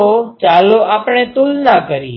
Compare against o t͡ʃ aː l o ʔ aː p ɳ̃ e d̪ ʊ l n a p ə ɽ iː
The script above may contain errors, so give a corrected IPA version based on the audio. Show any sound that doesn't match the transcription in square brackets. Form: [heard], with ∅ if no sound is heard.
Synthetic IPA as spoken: o t͡ʃ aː l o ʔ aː p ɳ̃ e [t̪] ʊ l n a [k] ə [ɾ] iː